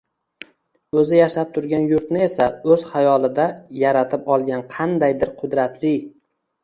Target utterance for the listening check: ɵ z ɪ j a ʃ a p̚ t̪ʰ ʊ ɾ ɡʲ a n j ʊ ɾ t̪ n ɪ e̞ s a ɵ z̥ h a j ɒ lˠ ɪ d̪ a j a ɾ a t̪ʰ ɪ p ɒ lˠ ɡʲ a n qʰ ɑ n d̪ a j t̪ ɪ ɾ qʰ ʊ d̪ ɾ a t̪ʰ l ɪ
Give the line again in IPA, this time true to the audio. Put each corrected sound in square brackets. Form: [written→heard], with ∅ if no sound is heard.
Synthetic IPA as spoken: ɵ z ɪ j a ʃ a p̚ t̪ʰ ʊ ɾ ɡʲ a n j ʊ ɾ t̪ n ɪ e̞ s a ɵ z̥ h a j ɒ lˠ ɪ d̪ a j a ɾ a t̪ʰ ɪ p ɒ lˠ ɡʲ a n qʰ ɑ n d̪ a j [t̪→d̪] ɪ ɾ qʰ ʊ d̪ ɾ a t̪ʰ l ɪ

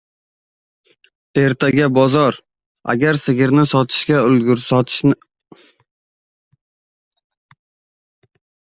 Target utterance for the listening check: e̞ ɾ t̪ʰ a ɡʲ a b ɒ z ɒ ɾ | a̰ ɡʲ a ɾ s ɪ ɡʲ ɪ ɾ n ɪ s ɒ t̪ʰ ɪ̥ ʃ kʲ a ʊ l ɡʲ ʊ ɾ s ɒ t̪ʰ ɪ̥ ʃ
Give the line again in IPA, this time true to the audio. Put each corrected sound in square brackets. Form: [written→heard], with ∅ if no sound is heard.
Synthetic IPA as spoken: e̞ ɾ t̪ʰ a ɡʲ a b ɒ z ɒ ɾ | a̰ ɡʲ a ɾ s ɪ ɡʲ ɪ ɾ n ɪ s ɒ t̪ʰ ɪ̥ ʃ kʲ a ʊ l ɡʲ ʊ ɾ s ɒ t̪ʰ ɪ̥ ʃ

